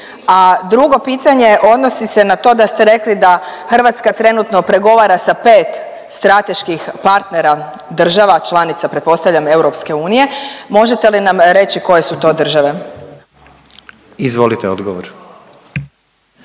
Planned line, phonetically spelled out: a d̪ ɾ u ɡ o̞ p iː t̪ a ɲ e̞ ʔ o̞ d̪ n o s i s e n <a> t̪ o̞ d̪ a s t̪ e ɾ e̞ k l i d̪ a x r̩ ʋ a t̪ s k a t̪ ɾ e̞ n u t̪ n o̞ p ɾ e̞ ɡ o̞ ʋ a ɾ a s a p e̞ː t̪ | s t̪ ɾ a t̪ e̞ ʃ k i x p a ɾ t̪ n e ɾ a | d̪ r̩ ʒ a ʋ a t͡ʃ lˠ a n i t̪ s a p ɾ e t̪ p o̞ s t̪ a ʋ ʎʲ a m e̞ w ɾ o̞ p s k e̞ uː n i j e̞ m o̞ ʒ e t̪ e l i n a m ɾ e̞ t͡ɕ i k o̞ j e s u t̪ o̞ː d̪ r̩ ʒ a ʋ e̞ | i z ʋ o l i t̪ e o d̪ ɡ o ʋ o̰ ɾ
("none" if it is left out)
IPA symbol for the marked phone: a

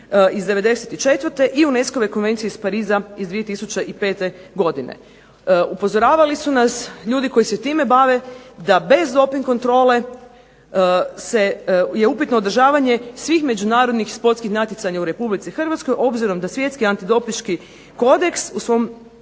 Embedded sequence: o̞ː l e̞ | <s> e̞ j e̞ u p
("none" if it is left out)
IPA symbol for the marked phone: s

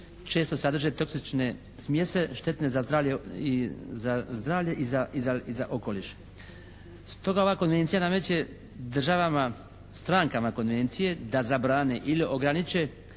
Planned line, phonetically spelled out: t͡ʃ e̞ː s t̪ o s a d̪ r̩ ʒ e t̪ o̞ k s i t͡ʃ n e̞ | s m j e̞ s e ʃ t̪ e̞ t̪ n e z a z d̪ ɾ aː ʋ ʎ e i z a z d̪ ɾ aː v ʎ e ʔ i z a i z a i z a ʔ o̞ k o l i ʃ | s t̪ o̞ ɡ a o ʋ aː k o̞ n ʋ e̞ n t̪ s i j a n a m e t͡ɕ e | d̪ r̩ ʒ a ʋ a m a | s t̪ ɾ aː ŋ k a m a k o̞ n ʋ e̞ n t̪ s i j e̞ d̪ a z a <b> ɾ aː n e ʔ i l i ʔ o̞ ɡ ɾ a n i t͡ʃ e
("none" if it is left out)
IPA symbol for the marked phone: b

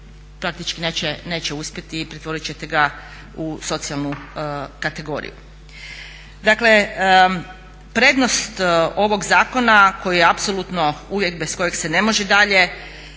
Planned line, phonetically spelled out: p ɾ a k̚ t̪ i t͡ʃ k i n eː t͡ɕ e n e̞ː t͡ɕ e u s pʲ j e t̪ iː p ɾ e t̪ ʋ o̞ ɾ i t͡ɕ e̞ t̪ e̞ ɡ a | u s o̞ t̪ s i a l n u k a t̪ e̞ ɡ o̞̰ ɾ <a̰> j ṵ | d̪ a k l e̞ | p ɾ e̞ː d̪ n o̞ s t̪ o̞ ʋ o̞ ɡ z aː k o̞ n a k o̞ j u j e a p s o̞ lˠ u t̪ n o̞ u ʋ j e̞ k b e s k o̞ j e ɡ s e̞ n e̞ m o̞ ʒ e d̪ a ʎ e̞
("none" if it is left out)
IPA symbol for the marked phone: ḭ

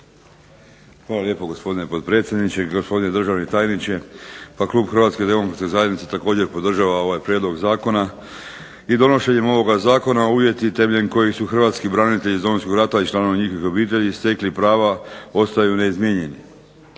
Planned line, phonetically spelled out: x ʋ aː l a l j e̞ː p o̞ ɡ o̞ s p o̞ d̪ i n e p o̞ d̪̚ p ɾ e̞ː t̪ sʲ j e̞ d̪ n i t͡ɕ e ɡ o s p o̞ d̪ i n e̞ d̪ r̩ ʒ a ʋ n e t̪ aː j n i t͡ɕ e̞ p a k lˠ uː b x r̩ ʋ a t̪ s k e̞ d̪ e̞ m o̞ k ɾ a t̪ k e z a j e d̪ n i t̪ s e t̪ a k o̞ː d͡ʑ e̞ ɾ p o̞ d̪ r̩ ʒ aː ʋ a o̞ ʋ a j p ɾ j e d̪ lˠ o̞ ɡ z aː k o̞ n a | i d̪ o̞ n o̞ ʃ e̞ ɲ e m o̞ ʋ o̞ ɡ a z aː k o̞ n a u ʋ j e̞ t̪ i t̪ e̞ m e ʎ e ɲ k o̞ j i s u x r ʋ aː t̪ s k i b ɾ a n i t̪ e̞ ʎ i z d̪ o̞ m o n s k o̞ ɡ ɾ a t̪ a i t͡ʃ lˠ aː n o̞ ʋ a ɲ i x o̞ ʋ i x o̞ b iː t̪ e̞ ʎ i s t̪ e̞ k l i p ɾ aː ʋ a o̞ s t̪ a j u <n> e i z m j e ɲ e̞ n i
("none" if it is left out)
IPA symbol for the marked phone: n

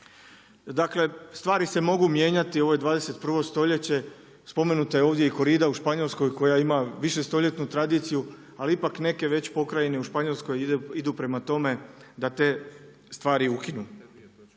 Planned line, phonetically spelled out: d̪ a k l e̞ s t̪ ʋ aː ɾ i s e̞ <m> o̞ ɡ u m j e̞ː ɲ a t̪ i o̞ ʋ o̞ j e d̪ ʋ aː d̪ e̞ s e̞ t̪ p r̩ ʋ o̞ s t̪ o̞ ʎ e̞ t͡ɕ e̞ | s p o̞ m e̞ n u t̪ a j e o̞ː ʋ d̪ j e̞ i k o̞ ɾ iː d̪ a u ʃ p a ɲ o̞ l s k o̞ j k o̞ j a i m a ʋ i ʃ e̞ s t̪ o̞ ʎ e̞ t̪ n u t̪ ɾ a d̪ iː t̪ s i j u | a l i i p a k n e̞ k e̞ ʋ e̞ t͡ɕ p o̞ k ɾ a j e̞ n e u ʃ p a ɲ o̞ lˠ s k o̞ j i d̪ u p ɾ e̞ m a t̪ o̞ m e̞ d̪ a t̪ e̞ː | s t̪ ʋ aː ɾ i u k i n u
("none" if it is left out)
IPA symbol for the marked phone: m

